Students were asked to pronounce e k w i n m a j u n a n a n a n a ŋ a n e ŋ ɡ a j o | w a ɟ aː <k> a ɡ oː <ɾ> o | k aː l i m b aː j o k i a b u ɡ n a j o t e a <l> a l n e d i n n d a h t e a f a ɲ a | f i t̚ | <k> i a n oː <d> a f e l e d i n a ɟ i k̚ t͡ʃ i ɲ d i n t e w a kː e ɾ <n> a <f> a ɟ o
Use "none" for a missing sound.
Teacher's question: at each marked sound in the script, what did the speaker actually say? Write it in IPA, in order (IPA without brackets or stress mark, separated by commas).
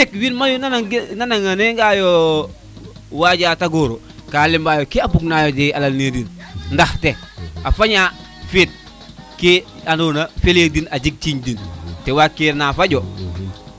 t, ɾ, l, k, n, n, f